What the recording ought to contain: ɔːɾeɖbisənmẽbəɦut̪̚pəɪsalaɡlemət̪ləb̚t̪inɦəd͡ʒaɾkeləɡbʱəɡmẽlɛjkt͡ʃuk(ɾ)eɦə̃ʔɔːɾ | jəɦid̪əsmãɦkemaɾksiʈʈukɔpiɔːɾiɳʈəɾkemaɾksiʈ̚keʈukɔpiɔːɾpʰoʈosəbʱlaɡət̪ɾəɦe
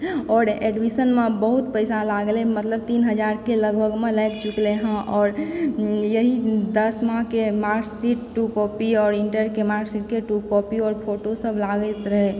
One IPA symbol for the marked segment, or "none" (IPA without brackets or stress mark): l